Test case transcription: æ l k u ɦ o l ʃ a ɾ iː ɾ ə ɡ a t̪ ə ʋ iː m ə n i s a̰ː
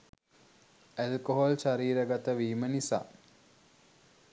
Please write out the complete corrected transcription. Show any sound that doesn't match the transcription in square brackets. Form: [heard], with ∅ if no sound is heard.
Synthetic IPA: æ l k [o] ɦ o l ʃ a ɾ iː ɾ ə ɡ a t̪ ə ʋ iː m ə n i s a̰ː